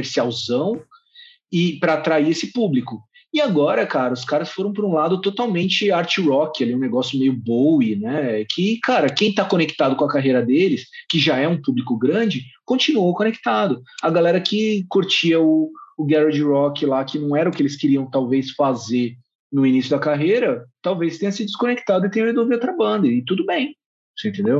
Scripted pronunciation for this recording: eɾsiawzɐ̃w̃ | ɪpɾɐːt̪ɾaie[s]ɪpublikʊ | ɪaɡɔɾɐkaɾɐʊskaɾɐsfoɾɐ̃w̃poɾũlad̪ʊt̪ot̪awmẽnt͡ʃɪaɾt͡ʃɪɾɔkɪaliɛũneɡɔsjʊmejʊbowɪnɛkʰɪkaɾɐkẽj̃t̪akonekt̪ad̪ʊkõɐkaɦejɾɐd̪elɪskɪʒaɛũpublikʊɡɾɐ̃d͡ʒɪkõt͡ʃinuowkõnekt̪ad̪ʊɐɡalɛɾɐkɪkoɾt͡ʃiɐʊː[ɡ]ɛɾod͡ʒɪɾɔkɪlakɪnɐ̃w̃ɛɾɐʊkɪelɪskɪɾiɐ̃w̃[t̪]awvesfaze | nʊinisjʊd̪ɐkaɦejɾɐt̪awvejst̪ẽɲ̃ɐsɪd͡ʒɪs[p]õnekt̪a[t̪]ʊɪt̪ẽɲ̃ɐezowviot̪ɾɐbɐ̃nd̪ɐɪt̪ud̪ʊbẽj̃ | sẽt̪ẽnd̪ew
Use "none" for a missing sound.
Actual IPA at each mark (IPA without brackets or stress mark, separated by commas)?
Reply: s, ɡ, t̪, k, d̪